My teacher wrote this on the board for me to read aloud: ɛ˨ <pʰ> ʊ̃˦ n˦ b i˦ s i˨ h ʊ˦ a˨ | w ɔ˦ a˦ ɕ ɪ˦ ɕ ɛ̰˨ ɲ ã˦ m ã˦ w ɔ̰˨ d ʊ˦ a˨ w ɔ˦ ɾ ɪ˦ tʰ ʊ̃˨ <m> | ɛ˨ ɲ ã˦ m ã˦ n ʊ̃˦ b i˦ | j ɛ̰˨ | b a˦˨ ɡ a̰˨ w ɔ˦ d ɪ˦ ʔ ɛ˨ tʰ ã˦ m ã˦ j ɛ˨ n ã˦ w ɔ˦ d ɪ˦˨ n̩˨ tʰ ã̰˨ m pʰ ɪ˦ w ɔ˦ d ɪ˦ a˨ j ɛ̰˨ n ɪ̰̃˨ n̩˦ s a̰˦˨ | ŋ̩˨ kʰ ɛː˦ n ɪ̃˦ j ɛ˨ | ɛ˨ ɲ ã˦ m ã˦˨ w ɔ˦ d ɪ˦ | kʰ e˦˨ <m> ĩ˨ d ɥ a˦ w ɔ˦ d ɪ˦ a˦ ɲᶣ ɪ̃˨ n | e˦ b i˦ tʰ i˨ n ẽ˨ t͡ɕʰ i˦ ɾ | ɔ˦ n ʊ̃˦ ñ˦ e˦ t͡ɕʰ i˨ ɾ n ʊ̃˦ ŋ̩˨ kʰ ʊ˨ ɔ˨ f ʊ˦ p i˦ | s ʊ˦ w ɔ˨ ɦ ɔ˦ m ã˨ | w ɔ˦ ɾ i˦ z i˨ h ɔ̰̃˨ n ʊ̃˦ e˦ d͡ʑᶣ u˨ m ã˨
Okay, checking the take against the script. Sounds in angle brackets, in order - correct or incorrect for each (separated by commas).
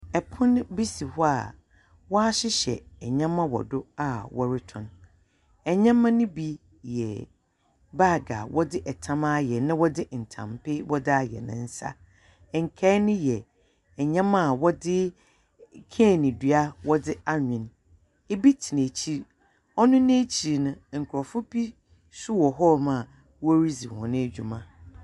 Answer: correct, incorrect, incorrect